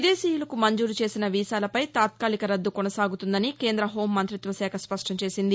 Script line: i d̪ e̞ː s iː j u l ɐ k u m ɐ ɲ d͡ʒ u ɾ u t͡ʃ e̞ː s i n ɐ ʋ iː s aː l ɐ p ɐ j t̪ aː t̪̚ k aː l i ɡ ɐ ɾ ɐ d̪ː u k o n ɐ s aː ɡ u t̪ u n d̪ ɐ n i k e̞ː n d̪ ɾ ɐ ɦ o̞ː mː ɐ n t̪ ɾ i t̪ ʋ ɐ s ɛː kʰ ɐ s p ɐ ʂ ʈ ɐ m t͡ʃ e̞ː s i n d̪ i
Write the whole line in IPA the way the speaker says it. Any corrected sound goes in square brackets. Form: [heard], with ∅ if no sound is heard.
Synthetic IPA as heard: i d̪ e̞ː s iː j u l ɐ k u m ɐ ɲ d͡ʒ [uː] ɾ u t͡ʃ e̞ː s i n ɐ ʋ iː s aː l ɐ p ɐ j t̪ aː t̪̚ k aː l i [k] ɐ ɾ ɐ d̪ː u k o n ɐ s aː ɡ u t̪ u n d̪ ɐ n i k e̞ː n d̪ ɾ ɐ ɦ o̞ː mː ɐ n t̪ ɾ i t̪ ʋ ɐ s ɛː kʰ ɐ s p ɐ ʂ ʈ ɐ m t͡ʃ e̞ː s i n d̪ i